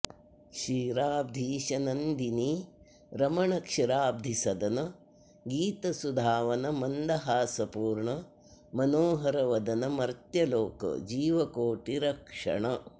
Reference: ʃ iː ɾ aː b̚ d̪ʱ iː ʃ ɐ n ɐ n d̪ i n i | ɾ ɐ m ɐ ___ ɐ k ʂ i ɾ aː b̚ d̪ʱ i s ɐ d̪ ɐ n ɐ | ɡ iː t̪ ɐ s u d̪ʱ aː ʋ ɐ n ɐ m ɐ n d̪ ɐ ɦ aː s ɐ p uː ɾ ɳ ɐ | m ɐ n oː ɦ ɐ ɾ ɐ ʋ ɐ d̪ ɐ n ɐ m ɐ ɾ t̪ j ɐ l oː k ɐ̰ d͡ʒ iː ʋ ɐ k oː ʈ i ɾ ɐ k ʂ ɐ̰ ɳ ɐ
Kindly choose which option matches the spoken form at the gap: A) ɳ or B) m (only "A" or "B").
A